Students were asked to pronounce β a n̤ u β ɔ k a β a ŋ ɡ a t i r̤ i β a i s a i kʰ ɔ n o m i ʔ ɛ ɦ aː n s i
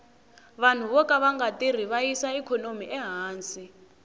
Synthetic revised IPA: β a n̤ u β ɔ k a β a ŋ ɡ a t i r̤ i β a i s a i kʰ ɔ n o m i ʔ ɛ ɦ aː n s i